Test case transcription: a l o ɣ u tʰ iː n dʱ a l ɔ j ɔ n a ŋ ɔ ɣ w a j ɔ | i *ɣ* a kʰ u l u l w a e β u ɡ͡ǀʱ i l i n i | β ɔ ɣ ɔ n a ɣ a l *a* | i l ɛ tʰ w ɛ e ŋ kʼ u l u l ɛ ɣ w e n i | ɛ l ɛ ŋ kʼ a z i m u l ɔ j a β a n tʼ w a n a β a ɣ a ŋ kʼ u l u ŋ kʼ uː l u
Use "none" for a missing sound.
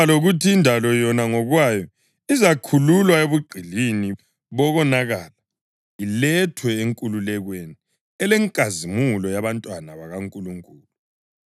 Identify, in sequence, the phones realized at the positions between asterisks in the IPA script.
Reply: z, a

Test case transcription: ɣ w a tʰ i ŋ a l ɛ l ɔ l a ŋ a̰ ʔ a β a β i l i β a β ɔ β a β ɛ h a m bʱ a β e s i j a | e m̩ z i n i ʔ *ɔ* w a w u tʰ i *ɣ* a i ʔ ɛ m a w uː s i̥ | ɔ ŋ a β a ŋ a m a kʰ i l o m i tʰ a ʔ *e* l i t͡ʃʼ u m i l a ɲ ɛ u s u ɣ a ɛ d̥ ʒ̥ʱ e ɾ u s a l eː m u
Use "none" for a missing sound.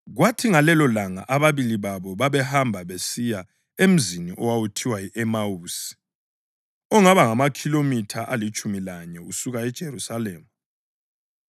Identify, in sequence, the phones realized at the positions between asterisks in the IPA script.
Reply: ɔ, w, a

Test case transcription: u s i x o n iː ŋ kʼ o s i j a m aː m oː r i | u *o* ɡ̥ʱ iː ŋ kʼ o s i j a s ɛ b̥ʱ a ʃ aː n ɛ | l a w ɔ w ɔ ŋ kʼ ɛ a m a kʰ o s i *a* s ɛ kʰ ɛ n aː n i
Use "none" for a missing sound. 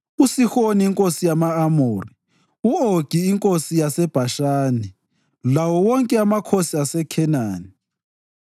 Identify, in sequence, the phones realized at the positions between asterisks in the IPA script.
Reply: o, a

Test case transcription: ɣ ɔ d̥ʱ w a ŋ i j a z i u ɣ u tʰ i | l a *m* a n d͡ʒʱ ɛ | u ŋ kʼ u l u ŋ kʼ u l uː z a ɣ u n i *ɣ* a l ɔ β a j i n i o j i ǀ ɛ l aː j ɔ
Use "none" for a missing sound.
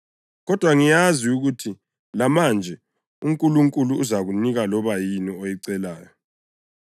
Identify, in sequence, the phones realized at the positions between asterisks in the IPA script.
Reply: m, ɣ

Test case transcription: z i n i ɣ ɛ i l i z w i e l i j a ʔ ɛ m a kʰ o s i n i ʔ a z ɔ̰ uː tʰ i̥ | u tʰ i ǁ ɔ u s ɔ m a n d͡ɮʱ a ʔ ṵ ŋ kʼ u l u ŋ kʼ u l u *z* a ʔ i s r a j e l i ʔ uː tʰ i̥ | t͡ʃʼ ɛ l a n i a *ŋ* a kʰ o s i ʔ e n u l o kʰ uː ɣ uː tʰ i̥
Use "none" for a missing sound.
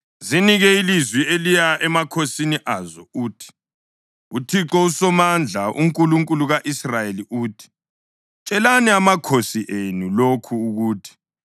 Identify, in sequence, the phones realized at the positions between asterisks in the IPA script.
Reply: ɣ, m

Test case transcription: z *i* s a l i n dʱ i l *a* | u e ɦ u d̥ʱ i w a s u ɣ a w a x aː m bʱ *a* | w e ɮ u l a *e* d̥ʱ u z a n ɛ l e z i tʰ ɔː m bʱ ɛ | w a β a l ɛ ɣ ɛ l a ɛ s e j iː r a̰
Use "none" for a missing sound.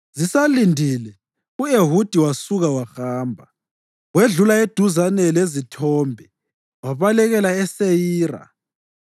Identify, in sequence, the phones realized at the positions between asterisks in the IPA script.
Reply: i, ɛ, a, e

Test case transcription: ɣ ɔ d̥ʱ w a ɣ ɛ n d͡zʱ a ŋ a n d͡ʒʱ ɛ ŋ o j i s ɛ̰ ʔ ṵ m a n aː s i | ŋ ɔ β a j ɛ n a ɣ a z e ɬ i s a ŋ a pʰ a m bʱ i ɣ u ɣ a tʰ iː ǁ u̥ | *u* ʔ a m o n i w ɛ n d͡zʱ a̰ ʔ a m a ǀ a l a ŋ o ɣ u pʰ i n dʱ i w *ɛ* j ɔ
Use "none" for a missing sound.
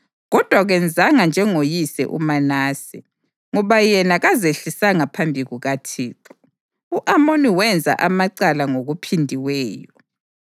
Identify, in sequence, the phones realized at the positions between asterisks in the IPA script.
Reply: u, ɛː

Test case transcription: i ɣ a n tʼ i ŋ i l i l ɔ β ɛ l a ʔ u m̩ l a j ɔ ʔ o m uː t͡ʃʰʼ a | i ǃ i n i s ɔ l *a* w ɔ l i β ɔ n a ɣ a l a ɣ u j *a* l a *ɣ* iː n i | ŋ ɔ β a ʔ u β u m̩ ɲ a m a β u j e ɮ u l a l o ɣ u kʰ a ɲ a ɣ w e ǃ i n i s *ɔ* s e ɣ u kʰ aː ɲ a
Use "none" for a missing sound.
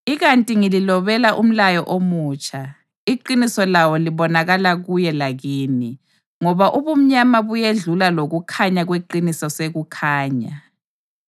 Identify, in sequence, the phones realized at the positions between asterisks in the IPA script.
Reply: a, ɛ, ɣ, ɔ

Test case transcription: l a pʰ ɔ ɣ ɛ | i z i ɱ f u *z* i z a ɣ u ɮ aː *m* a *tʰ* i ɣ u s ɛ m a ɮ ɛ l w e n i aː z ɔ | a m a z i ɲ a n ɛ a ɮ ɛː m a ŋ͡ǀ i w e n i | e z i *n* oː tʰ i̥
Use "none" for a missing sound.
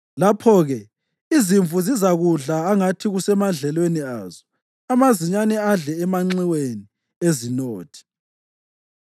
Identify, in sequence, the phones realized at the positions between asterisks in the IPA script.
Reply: z, ŋ, tʰ, n

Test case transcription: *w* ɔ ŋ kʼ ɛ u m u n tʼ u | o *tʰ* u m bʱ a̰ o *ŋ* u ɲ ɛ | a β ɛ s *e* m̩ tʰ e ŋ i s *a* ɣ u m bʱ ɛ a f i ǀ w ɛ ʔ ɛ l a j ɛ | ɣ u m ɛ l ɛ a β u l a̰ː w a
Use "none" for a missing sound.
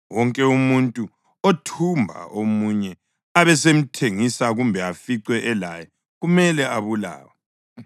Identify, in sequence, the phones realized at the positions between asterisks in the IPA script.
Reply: w, tʰ, m, e, a

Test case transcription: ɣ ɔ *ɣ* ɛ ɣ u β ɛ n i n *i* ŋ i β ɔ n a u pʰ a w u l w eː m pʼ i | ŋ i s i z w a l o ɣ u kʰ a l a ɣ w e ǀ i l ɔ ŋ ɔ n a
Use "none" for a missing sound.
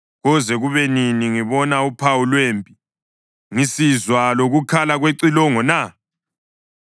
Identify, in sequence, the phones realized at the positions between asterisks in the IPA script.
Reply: z, i

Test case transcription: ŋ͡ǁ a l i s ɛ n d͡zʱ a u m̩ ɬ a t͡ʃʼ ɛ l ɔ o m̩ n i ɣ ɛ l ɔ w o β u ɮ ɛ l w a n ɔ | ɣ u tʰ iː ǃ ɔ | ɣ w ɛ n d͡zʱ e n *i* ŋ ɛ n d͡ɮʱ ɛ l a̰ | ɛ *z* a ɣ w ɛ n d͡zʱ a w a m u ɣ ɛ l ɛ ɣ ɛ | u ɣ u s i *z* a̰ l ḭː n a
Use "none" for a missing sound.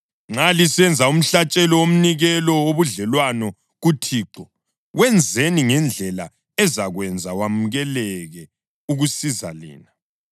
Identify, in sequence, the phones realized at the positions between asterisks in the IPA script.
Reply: i, z, z

